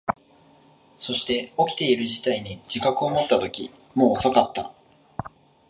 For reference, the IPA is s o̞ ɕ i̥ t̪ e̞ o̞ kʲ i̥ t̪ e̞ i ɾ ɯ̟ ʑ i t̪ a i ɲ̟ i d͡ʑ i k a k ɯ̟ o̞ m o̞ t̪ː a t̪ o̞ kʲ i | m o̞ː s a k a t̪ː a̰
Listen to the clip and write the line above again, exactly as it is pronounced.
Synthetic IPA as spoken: s o̞ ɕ i̥ t̪ e̞ o̞ kʲ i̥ t̪ e̞ i ɾ ɯ̟ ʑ i t̪ a i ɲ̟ i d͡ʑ i k a k ɯ̟ o̞ m o̞ t̪ː a t̪ o̞ kʲ i | m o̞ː s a k a t̪ː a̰